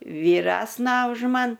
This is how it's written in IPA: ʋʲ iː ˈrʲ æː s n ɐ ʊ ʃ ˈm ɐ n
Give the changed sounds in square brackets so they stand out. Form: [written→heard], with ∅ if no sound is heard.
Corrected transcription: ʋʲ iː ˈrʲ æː s n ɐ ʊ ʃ ˈm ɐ n